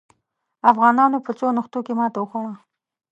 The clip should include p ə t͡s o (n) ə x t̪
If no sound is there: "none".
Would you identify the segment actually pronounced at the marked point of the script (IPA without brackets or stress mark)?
n